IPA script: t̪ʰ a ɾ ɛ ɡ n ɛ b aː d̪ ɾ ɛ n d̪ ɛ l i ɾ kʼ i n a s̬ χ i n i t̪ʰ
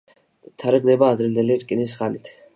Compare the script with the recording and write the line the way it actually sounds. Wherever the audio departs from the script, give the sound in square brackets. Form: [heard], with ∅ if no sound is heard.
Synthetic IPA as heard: t̪ʰ a ɾ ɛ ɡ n ɛ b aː d̪ ɾ ɛ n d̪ ɛ l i ɾ kʼ i n [i] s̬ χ [a] n i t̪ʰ